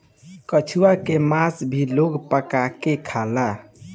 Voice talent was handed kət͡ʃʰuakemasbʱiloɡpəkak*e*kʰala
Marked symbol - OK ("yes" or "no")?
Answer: yes